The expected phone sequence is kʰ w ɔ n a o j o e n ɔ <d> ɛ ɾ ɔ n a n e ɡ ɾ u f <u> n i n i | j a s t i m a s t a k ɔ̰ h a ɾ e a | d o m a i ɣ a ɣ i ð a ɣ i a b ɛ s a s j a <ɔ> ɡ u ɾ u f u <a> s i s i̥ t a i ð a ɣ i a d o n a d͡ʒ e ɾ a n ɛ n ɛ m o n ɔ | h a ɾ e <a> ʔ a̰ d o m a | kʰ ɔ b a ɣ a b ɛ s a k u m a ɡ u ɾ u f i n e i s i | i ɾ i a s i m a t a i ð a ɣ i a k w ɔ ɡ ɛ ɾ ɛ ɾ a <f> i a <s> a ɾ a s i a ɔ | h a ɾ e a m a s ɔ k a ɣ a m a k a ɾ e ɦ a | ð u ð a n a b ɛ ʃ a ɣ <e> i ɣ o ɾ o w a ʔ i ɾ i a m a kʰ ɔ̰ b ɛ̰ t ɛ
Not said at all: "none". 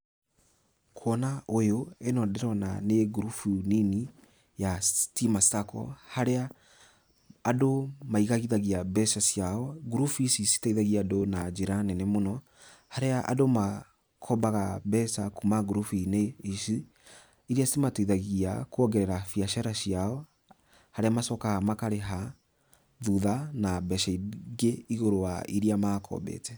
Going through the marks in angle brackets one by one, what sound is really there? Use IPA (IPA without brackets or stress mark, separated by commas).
d, u, ɔ, i, a, f, ʃ, e